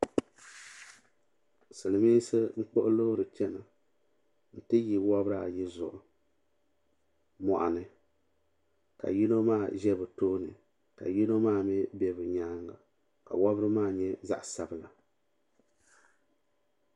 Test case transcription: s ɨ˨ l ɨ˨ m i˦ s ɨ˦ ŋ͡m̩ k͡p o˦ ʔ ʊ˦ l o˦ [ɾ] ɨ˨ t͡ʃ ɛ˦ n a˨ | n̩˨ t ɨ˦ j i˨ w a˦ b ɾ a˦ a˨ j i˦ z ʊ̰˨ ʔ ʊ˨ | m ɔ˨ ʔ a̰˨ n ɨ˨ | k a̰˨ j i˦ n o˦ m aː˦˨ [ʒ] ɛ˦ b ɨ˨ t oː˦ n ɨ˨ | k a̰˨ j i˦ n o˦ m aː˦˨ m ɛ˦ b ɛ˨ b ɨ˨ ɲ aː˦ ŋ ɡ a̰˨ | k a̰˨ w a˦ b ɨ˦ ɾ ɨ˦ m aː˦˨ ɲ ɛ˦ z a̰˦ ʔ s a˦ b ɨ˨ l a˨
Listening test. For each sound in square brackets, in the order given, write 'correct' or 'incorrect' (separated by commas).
correct, correct